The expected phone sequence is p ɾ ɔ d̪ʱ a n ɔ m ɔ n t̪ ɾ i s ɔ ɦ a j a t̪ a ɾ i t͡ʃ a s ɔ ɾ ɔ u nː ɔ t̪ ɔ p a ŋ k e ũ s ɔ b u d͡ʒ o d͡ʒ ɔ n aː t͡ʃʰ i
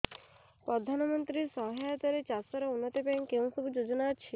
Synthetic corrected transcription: p ɾ ɔ d̪ʱ a n ɔ m ɔ n t̪ ɾ i s ɔ ɦ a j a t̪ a ɾ e t͡ʃ a s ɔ ɾ ɔ u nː ɔ t̪ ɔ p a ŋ k e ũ s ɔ b u d͡ʒ o d͡ʒ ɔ n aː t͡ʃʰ i